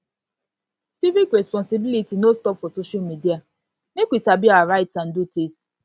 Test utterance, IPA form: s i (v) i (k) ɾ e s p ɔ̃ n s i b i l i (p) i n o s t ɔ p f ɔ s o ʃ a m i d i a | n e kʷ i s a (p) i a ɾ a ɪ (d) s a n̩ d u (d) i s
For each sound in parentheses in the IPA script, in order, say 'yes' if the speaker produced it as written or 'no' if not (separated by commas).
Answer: yes, yes, no, no, no, no